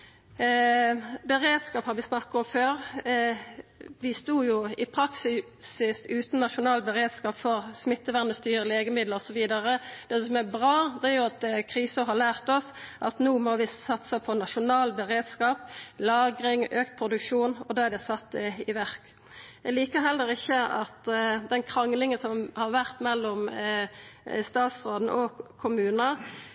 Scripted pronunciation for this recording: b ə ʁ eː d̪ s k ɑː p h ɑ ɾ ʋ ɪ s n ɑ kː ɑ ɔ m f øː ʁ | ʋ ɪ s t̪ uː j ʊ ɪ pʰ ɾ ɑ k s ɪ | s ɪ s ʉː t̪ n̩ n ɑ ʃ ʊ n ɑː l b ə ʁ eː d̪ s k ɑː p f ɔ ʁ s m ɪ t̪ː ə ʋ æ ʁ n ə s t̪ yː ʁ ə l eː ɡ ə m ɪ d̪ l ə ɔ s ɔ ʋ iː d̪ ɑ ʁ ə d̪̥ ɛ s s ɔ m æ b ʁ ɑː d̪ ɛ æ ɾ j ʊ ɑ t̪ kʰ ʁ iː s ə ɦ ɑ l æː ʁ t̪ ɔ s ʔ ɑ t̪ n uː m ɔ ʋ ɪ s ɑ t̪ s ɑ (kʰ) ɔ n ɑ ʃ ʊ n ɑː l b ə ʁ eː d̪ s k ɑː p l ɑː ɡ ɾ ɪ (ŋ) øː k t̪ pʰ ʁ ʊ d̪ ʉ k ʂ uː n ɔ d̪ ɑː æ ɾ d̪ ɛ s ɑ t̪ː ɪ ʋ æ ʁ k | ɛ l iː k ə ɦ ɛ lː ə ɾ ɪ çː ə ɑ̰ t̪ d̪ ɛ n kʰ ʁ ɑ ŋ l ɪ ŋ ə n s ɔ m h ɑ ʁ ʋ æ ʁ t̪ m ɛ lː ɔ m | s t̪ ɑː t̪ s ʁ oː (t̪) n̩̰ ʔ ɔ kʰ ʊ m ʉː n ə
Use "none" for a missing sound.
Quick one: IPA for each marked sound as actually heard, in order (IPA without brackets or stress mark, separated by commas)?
pʰ, ŋ, d̪